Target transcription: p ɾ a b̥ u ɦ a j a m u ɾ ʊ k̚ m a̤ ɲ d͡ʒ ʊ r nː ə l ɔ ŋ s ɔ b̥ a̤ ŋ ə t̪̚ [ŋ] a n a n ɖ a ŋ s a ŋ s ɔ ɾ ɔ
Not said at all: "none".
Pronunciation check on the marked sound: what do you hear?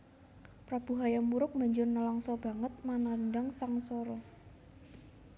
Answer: m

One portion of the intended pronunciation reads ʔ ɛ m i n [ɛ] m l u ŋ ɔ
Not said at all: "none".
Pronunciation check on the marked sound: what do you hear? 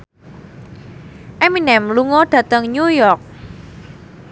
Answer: ɛ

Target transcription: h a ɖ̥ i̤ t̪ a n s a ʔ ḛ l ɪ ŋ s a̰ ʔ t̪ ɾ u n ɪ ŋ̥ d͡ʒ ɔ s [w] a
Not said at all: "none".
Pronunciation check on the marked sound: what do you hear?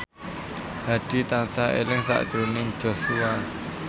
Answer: u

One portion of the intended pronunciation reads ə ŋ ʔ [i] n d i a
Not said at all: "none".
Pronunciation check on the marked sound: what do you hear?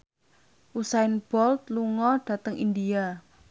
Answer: i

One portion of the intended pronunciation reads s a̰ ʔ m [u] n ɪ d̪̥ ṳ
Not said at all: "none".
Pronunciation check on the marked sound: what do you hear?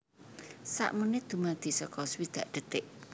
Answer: u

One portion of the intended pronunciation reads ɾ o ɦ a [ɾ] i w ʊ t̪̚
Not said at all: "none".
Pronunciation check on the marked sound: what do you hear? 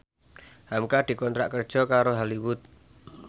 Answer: l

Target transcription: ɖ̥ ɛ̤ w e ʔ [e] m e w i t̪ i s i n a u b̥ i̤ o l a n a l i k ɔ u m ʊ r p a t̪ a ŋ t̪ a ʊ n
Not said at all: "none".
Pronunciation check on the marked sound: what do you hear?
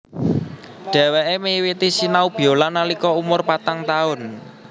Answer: e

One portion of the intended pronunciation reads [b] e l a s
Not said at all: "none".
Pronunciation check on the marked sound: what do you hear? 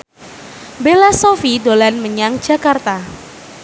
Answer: b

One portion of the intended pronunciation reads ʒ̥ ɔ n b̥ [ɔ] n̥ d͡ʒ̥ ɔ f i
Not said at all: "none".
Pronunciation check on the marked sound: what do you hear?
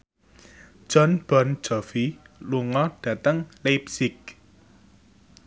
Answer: ɔ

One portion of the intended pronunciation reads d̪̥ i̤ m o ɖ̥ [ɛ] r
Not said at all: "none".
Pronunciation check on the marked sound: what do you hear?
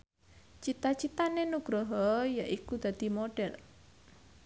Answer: ɛ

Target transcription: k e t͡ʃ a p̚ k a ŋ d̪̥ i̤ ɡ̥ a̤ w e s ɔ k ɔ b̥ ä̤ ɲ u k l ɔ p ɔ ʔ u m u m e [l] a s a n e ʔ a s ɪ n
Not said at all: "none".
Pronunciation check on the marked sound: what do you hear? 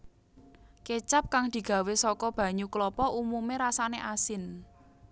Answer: ɾ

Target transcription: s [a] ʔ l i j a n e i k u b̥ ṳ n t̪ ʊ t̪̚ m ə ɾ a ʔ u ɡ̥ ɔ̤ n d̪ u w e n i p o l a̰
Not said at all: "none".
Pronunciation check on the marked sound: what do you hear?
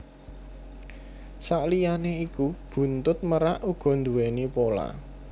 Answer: a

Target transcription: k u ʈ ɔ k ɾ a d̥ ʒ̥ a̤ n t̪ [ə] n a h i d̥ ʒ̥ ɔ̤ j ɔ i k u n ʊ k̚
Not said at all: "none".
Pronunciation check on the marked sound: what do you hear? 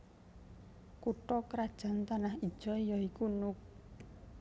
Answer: a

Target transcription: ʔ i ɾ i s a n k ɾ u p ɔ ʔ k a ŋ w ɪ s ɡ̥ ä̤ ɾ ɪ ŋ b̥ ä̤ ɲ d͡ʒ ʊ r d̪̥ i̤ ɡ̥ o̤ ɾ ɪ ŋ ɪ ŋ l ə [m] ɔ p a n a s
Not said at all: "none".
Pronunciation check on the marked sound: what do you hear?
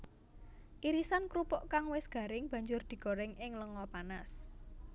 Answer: ŋ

